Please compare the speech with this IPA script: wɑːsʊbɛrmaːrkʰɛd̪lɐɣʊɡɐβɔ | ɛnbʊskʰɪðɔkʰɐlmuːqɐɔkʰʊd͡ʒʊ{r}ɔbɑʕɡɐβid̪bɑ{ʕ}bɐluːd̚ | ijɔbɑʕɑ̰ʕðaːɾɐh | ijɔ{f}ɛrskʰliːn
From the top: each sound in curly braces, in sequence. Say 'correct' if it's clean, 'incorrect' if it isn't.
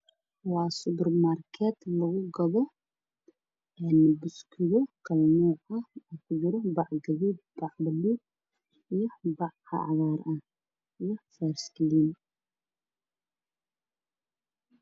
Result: incorrect: ɾ, correct, correct

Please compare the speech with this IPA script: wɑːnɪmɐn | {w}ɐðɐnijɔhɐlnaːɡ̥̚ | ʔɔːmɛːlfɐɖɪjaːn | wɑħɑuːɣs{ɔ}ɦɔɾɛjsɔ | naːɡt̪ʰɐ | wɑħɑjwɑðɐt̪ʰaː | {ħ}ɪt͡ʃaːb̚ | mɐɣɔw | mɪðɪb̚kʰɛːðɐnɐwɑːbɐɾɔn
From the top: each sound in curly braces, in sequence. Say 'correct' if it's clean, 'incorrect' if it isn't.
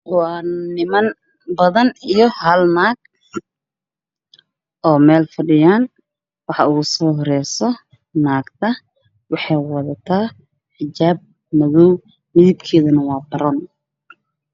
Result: incorrect: b, incorrect: ɔː, correct

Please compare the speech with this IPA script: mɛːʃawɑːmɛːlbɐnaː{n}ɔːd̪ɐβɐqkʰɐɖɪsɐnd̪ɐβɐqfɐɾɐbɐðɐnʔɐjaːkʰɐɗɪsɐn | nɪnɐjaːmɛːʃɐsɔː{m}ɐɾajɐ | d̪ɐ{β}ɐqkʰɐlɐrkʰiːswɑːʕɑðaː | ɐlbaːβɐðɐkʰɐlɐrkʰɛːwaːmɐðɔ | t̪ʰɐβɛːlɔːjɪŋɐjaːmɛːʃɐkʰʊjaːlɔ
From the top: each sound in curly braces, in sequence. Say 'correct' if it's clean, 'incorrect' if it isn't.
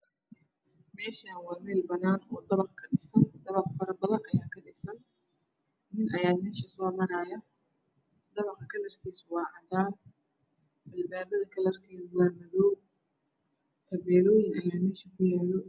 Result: correct, correct, correct

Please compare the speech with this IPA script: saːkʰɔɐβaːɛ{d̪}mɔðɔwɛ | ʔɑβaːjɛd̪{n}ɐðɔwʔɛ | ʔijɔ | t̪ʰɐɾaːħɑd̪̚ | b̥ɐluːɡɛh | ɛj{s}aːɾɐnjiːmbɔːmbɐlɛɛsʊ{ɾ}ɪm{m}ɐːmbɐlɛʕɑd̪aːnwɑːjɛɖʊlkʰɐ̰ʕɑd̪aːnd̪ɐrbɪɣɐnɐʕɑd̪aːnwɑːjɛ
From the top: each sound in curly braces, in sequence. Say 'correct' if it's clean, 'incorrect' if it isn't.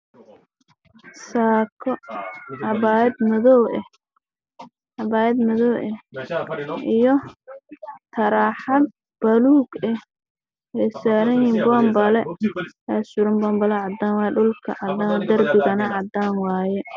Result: correct, incorrect: m, correct, correct, incorrect: b

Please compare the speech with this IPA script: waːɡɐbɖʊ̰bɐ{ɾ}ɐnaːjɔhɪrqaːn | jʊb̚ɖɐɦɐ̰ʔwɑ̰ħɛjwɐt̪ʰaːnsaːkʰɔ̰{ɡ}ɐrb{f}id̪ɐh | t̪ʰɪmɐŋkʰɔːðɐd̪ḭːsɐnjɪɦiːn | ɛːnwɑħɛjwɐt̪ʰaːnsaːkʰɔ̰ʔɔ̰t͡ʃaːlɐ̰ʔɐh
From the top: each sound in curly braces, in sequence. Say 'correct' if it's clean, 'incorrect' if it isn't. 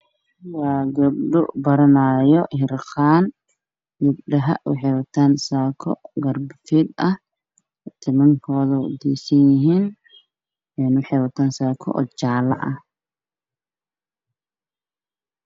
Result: correct, correct, correct

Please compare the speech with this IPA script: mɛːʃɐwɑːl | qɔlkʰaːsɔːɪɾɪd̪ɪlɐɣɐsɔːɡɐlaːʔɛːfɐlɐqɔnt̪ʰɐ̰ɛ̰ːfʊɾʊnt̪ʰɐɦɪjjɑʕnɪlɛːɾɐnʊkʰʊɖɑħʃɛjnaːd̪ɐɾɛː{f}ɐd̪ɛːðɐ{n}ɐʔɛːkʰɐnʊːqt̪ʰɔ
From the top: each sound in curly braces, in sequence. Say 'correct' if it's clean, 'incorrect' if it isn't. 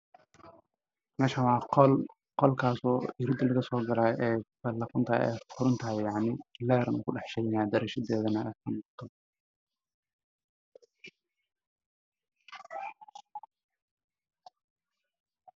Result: incorrect: ʃ, correct

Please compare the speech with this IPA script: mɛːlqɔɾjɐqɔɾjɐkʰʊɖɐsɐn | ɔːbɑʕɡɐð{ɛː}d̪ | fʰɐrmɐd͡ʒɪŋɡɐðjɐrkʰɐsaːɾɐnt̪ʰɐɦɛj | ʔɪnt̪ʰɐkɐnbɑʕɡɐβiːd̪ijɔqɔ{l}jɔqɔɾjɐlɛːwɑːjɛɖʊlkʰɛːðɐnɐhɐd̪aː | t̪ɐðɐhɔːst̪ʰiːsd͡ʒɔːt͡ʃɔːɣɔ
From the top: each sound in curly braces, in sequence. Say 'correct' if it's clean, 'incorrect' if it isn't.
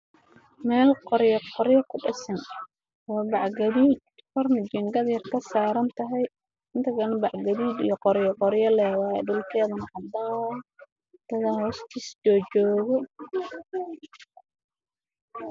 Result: incorrect: iː, incorrect: ɾ

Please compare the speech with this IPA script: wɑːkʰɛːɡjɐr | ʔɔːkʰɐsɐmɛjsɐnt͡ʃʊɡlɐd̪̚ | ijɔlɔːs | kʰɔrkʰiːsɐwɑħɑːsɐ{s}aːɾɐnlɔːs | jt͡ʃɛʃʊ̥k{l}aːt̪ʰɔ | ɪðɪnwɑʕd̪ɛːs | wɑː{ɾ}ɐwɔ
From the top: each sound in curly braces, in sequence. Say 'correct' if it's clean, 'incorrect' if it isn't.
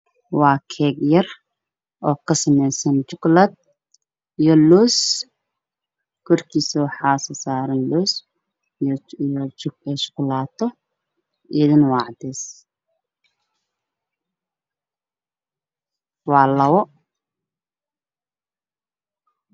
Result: correct, correct, incorrect: l

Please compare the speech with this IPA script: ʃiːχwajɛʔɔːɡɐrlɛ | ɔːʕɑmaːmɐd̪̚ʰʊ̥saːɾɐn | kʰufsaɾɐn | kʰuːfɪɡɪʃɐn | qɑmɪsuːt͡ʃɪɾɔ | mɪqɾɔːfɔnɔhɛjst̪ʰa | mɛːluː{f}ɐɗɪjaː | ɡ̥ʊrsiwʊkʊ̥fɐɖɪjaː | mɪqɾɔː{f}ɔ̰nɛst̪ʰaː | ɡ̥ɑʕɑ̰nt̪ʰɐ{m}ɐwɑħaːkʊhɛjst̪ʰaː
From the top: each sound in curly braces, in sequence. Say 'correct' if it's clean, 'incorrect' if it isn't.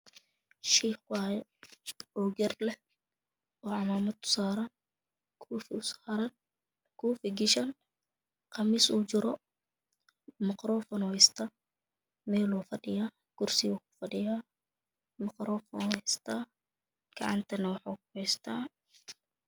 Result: correct, correct, incorrect: n

